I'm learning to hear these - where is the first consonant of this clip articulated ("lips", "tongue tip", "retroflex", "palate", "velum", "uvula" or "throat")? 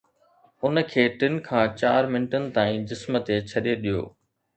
tongue tip